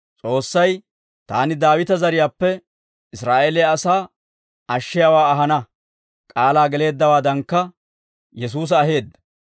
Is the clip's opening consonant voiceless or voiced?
voiceless